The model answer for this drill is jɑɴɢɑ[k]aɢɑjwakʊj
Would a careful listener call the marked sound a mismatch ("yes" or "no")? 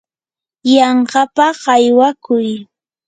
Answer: yes